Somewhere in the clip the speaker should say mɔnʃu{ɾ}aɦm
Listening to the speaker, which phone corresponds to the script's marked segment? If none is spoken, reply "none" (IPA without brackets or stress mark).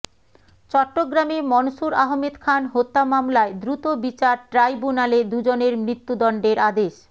ɾ